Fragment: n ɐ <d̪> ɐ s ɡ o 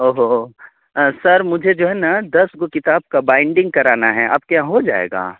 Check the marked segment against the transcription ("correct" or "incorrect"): correct